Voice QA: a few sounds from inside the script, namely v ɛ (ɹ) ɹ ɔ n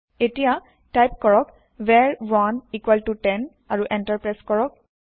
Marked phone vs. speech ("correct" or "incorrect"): correct